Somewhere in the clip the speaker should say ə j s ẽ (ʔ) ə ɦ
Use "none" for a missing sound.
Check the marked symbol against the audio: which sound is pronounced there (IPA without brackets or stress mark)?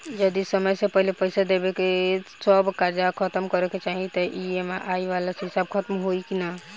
p